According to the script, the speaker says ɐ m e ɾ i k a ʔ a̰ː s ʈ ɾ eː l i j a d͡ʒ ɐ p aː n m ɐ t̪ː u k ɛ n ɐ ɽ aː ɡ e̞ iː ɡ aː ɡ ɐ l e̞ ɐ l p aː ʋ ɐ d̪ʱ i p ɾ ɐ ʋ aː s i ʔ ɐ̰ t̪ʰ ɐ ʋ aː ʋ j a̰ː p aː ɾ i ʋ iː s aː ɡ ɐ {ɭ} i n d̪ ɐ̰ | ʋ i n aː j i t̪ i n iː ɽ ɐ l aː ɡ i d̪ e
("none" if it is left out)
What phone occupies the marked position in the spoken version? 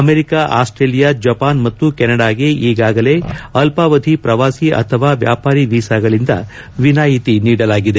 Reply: ɭ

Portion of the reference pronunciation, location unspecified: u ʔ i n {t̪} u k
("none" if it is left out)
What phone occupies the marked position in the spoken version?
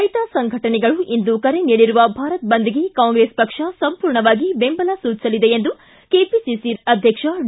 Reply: d̪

